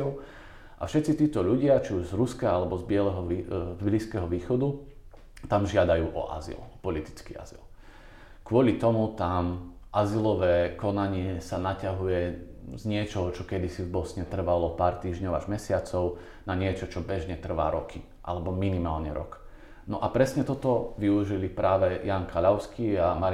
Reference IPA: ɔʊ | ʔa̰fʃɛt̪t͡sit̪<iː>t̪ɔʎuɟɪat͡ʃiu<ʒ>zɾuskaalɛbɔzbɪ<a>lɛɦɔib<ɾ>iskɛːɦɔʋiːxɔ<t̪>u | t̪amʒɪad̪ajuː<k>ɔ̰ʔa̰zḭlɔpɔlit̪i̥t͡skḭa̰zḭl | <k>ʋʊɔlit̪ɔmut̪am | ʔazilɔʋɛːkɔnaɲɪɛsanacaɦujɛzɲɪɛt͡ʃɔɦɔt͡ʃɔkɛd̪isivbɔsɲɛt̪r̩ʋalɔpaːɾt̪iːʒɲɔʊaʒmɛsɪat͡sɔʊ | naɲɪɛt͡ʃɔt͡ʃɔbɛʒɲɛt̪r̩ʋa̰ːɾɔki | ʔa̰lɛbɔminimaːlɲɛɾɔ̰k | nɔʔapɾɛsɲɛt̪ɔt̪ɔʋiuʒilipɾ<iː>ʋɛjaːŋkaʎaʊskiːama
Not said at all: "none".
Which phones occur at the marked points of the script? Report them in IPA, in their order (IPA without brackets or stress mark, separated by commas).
iː, ʒ, ɛ, l, d̪, ʔ, k, aː